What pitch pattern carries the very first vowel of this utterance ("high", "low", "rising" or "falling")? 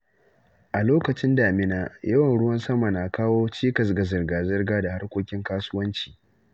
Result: low